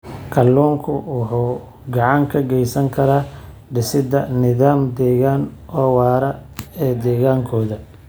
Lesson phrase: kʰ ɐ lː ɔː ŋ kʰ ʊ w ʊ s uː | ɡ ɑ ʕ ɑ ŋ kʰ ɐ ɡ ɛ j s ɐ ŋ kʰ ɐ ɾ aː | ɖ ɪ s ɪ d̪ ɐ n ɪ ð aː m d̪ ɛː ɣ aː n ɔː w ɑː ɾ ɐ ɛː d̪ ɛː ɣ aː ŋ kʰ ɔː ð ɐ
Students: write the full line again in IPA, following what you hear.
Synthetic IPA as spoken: kʰ ɐ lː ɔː ŋ kʰ ʊ w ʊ ħ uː | ɡ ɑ ʕ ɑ ŋ kʰ ɐ ɡ ɛ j s ɐ ŋ kʰ ɐ ɾ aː | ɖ ɪ s ɪ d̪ ɐ n ɪ ð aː m d̪ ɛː ɣ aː n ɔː w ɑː ɾ ɐ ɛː d̪ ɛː ɣ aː ŋ kʰ ɔː ð ɐ